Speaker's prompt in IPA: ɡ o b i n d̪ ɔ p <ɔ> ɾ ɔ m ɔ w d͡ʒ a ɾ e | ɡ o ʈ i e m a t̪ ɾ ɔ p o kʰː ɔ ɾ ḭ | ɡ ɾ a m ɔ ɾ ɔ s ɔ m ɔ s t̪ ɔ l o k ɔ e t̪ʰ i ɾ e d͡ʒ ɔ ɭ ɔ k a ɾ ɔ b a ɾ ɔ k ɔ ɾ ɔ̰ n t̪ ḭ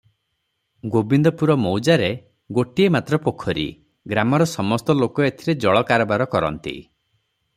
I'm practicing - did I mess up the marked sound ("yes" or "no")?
yes